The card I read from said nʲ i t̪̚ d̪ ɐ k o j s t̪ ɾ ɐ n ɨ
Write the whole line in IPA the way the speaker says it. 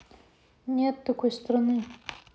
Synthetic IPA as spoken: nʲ e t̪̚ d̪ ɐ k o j s t̪ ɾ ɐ n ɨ